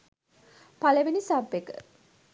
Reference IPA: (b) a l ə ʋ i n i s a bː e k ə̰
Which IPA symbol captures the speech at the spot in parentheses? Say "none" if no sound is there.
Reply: p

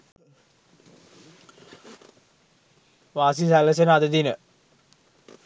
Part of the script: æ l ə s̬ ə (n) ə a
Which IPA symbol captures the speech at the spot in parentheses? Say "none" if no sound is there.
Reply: n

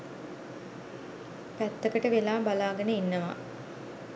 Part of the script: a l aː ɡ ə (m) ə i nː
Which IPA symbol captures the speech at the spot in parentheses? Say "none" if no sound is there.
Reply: n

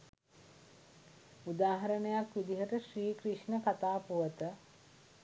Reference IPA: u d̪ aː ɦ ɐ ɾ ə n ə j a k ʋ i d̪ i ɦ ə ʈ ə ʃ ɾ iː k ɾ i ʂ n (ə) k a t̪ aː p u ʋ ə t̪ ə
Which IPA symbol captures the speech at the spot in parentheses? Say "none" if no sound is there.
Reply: ə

